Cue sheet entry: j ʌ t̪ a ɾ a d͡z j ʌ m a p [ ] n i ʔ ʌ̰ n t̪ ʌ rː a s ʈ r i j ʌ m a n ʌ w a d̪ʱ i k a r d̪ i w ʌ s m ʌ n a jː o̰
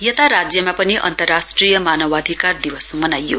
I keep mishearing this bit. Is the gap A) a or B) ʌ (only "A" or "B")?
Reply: B